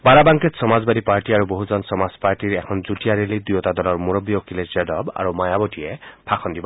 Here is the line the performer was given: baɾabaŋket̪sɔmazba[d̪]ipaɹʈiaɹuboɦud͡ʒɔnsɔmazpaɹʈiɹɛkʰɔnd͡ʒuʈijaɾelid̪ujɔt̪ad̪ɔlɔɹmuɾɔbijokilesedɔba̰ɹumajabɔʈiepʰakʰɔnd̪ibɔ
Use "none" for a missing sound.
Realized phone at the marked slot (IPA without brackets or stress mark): d̪